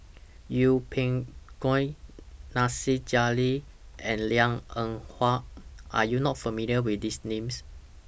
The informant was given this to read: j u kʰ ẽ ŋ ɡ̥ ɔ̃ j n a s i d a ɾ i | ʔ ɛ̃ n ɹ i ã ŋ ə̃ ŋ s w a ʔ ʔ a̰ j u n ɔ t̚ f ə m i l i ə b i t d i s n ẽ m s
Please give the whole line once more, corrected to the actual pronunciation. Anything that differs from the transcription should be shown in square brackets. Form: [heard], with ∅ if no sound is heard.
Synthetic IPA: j u [pʰ] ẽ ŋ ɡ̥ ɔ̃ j n a s i [d͡ʒ] a [l] i | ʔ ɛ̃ n [l] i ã ŋ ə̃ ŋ [h] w a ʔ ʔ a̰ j u n ɔ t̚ f ə m i l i ə [w] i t d i s n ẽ m s